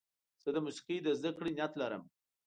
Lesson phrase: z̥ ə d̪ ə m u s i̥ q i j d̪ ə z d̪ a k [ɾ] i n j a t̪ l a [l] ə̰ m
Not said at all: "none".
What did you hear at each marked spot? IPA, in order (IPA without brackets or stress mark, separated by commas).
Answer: ɽ, ɾ